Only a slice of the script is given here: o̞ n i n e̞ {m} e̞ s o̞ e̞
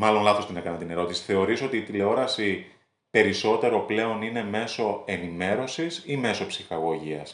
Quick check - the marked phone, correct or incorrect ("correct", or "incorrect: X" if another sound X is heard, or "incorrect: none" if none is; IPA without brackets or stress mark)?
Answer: correct